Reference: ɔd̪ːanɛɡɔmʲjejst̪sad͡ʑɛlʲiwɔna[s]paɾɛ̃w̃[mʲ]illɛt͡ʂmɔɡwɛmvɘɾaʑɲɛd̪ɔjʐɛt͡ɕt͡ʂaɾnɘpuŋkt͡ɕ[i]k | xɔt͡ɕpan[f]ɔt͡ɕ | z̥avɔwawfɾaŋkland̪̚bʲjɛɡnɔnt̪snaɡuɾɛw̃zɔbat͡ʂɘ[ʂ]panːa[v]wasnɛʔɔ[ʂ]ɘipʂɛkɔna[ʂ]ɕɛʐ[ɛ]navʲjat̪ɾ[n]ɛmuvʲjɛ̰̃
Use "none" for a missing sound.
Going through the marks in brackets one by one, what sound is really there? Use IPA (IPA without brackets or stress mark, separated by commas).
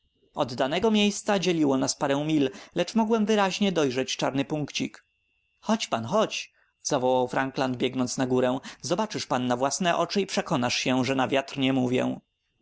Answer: s, mʲ, i, x, ʂ, v, t͡ʂ, ʂ, ɛ, ɲ